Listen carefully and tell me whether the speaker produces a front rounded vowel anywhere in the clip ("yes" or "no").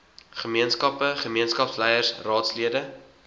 no